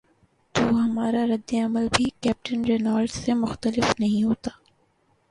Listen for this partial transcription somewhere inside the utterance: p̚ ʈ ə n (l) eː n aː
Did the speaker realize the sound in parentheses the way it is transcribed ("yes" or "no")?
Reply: no